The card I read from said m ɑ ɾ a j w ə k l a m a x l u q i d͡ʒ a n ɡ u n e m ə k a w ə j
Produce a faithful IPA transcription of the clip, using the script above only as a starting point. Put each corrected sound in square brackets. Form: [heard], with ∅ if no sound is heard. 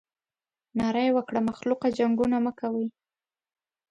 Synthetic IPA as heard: [n] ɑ ɾ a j w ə k [ɽ] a m a x l u q [a] d͡ʒ a [ŋ] ɡ u n [a] m ə k a w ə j